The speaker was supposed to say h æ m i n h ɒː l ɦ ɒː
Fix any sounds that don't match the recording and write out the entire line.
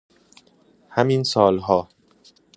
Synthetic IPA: h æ m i n s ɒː l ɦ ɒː

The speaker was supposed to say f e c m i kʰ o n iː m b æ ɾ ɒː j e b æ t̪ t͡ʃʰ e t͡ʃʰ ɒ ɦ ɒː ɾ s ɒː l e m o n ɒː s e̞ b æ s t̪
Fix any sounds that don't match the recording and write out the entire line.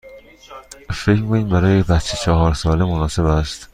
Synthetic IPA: f e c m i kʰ o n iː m b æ ɾ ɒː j e b æ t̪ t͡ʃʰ e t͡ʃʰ ɒ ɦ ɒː ɾ s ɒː l e m o n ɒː s e̞ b æ s t̪

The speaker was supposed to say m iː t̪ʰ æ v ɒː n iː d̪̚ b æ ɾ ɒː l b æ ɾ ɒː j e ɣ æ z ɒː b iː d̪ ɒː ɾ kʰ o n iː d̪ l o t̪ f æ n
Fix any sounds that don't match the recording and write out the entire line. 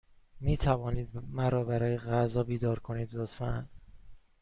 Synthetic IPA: m iː t̪ʰ æ v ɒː n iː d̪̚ m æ ɾ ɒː b æ ɾ ɒː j e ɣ æ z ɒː b iː d̪ ɒː ɾ kʰ o n iː d̪ l o t̪ f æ n

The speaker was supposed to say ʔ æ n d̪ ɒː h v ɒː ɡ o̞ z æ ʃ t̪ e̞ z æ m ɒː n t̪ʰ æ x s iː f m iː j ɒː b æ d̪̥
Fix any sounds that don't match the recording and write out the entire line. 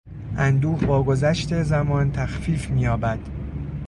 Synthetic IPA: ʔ æ n d̪ uː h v ɒː ɡ o̞ z æ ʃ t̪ e̞ z æ m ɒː n t̪ʰ æ x f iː f m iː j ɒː b æ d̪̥

